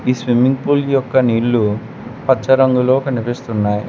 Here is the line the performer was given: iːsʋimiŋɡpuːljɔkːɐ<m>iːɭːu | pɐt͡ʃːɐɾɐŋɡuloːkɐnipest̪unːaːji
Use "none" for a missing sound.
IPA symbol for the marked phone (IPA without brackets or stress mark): n